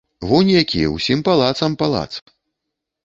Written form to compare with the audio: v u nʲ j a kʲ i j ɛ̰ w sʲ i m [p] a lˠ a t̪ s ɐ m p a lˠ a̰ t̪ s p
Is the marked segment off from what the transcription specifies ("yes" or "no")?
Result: no